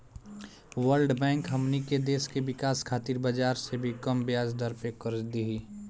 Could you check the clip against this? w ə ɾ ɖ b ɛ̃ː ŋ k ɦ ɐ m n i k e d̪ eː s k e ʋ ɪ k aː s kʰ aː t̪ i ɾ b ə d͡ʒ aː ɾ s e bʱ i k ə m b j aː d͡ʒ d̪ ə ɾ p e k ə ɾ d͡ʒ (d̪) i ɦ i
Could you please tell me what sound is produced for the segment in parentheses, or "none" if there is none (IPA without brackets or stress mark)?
d̪